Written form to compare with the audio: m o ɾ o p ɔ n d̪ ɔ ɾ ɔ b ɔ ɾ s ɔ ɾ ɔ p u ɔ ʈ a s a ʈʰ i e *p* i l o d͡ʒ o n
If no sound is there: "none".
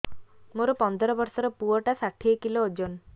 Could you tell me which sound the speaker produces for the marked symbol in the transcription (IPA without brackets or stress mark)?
k